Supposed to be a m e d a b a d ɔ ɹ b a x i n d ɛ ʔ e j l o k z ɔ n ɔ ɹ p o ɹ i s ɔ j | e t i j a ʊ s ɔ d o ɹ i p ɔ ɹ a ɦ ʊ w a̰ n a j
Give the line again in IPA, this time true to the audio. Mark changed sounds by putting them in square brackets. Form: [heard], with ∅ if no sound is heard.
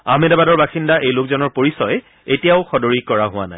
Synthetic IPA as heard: a m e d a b a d ɔ ɹ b a x i n d [a] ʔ e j l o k z ɔ n ɔ ɹ p o ɹ i s ɔ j | e t i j a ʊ [x] ɔ d o ɹ i [k] ɔ ɹ a ɦ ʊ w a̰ n a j